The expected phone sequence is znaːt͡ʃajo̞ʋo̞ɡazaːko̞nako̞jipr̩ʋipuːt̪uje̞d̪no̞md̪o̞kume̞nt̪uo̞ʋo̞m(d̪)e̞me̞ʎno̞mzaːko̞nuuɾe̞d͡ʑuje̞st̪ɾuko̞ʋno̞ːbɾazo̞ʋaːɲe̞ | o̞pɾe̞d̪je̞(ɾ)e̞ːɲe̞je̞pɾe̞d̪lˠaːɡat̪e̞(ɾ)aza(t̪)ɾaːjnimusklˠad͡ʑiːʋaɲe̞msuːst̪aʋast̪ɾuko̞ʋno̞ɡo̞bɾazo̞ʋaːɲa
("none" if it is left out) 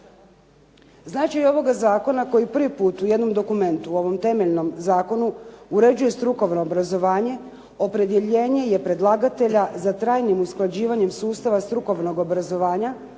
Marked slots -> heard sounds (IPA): t̪, ʎ, ʎ, t̪

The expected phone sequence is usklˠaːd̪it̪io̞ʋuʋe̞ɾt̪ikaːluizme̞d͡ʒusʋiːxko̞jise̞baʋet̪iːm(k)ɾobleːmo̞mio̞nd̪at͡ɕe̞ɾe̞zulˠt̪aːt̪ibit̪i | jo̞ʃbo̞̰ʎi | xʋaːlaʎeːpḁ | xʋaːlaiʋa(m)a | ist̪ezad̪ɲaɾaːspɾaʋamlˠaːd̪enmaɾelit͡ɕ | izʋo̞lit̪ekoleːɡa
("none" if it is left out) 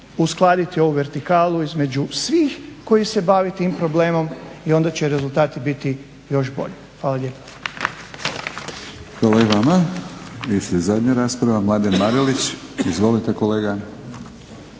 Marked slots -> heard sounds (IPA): p, m

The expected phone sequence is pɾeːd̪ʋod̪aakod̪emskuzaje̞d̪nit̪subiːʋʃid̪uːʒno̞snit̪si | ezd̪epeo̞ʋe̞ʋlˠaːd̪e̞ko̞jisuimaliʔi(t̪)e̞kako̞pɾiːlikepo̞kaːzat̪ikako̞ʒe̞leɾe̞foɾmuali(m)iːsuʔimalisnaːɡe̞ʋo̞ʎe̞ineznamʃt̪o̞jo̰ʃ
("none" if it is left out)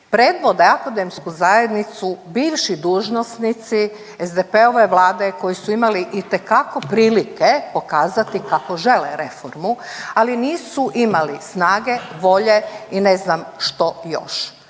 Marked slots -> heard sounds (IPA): t̪, n

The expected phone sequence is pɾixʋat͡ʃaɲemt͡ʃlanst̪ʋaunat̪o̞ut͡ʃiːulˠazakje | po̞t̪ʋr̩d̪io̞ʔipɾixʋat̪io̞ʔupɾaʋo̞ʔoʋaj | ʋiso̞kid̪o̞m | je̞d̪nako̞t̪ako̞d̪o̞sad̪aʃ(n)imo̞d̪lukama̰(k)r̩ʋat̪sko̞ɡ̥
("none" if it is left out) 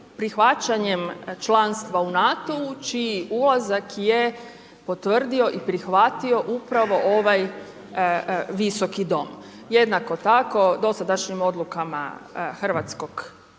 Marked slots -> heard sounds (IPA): ɲ, x

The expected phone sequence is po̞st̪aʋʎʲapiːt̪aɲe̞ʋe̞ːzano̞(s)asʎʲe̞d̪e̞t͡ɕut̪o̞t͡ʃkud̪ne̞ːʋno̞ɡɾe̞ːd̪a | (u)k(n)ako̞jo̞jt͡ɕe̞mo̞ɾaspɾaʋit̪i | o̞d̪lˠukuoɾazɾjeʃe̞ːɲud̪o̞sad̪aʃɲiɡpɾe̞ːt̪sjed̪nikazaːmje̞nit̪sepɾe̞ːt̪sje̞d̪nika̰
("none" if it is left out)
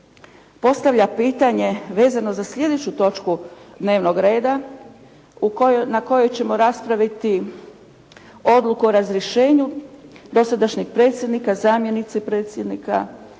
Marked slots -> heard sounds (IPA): z, u, n

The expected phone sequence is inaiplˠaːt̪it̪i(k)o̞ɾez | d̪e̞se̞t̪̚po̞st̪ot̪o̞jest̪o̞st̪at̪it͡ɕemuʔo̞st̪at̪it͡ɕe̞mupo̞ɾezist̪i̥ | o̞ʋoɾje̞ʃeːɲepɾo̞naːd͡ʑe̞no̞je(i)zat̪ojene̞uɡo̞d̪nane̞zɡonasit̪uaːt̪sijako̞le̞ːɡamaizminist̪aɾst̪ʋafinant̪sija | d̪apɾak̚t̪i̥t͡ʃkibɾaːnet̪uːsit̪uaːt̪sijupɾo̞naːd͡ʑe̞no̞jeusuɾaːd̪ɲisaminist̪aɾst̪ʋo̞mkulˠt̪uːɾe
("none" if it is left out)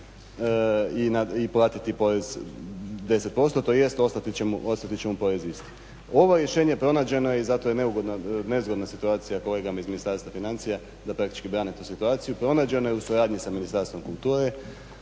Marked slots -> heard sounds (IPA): p, i

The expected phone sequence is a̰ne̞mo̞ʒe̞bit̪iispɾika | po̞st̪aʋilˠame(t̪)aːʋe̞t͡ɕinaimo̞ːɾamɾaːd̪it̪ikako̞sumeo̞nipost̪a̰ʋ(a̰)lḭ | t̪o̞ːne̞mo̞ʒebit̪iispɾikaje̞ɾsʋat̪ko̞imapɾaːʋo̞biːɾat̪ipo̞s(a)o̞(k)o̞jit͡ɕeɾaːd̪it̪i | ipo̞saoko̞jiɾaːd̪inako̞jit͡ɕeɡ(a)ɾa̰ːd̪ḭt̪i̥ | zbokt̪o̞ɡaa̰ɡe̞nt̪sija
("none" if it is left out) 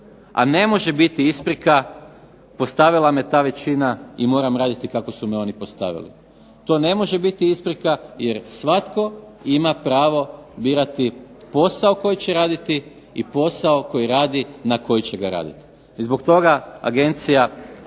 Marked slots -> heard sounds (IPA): t̪, ḭ, a, k, a

